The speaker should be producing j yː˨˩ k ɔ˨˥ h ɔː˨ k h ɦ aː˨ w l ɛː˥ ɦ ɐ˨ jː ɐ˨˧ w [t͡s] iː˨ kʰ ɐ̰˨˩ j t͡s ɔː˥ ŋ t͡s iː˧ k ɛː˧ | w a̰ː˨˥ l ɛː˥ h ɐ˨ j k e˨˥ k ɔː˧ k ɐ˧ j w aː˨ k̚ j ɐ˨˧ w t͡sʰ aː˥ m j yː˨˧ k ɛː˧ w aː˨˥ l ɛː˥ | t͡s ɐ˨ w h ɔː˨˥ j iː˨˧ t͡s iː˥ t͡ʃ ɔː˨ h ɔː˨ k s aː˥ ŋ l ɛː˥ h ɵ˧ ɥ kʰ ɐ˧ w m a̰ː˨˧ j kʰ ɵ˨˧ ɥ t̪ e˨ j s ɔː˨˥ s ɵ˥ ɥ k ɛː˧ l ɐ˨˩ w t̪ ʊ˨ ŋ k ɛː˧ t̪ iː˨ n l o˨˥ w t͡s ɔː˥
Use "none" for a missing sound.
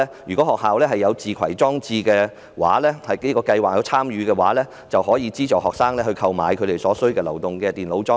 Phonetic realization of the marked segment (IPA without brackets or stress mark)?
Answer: t͡s